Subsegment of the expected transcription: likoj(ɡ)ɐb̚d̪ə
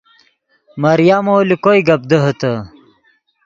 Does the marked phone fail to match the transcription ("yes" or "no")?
no